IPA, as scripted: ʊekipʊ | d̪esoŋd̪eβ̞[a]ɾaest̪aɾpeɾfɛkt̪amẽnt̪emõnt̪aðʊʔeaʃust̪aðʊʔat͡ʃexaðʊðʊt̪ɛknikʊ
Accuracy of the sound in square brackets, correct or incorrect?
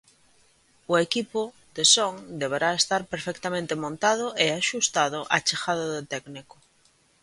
incorrect